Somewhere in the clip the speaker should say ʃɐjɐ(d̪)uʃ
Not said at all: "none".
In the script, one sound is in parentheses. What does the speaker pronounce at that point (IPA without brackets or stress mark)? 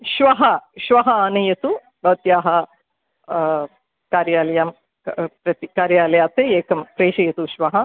t̪